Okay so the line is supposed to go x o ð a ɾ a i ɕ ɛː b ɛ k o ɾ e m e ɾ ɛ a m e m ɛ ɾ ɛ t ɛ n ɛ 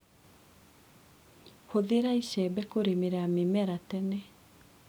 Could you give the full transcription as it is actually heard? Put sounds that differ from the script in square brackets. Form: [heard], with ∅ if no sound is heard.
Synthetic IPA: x o ð [e] ɾ a i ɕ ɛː b ɛ k o ɾ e m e ɾ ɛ a m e m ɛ ɾ [a] t ɛ n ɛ

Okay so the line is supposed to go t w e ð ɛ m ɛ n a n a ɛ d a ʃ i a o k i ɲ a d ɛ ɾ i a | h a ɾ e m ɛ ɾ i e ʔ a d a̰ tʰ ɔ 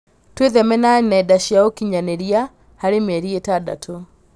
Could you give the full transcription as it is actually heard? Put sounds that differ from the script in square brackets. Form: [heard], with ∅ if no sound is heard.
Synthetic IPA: t w e ð ɛ m ɛ n a n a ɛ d a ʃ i a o k i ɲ a [n] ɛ ɾ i a | h a ɾ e m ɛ ɾ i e [t] a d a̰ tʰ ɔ

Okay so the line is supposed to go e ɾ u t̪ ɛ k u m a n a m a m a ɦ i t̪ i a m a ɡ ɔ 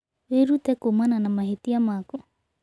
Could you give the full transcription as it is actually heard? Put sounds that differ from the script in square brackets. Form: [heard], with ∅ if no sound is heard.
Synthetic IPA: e ɾ u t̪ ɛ k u m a n a [n] a m a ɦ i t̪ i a m a [k] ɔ

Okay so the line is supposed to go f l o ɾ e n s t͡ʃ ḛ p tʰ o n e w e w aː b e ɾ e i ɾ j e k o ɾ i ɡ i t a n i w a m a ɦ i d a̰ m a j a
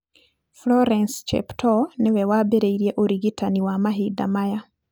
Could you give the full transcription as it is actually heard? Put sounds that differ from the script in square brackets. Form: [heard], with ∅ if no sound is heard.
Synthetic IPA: f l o ɾ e n s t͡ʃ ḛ p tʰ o n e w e w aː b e ɾ e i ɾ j e [ʔ] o ɾ i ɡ i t a n i w a m a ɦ i d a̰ m a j a

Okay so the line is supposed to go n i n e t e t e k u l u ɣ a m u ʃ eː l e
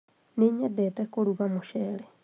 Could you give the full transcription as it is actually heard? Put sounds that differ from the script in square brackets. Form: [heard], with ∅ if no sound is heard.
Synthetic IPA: n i [ɲ] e [d] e t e k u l u ɣ a m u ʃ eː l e

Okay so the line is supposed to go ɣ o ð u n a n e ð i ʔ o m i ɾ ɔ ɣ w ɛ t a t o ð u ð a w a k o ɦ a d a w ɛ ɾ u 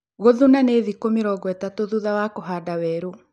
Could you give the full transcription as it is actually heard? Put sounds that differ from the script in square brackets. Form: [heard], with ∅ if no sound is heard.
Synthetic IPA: ɣ o ð u n a n e ð i [k] o m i ɾ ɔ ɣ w ɛ t a t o ð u ð a w a k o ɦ a d a w ɛ ɾ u

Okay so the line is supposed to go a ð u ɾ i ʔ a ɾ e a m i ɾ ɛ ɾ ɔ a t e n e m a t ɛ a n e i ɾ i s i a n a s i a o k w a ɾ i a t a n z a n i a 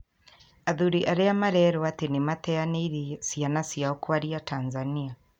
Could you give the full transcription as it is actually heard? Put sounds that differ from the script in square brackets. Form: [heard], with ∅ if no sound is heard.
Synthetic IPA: a ð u ɾ i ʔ a ɾ e a m [a] ɾ ɛ ɾ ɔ a t e n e m a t ɛ a n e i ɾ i s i a n a s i a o k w a ɾ i a t a n z a n i a

